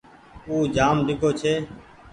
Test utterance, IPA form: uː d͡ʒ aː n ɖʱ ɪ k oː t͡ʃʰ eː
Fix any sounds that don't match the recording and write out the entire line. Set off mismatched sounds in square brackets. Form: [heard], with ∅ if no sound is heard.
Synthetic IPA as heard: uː d͡ʒ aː [m] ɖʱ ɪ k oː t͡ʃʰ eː